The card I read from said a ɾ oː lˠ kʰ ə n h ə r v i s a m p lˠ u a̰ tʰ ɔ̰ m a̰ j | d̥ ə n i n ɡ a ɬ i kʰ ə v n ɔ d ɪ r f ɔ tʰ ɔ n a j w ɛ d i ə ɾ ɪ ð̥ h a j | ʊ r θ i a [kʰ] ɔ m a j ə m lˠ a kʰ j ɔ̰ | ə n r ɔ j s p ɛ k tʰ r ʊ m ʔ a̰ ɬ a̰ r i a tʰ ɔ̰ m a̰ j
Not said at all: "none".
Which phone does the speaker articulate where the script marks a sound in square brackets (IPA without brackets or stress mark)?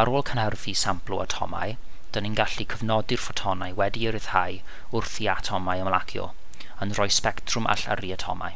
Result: tʰ